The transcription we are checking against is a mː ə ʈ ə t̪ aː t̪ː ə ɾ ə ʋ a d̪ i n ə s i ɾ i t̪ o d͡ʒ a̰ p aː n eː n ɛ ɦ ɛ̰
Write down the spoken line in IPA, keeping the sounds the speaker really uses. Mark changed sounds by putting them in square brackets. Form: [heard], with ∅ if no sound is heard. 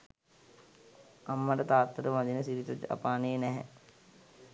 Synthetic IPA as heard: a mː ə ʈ ə t̪ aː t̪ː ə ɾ ə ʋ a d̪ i n ə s i ɾ i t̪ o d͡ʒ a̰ p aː n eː n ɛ ɦ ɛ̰